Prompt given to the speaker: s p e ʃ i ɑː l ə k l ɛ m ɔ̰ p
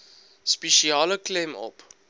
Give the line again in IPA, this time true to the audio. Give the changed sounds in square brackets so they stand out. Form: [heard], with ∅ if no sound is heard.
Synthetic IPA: s p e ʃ i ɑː l ə k l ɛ m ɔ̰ p